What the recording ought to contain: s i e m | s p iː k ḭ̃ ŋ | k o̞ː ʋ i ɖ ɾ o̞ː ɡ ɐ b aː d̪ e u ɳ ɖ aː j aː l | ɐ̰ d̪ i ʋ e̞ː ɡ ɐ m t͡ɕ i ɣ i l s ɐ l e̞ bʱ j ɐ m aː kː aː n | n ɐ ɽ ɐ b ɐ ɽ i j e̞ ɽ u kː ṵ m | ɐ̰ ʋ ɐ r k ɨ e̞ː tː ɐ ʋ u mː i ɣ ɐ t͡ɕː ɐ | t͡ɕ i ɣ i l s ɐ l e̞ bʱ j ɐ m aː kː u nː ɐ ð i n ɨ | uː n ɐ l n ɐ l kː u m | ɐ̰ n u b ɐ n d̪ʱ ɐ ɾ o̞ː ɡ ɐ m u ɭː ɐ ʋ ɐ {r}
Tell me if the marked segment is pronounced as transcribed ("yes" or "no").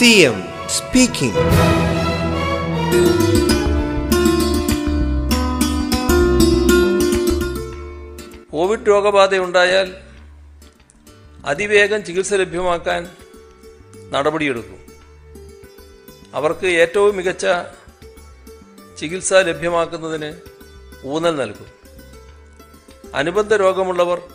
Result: yes